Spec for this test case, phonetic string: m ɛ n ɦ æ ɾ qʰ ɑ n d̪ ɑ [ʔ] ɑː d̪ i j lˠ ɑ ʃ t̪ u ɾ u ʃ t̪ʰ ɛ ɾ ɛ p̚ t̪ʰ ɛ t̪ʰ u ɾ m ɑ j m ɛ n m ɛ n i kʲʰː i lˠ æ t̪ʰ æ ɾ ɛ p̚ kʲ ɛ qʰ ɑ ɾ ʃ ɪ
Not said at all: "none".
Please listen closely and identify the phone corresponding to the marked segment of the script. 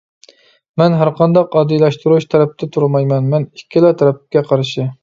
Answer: q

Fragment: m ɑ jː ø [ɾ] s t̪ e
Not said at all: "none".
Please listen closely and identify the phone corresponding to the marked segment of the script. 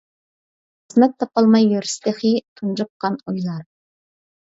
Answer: ɾ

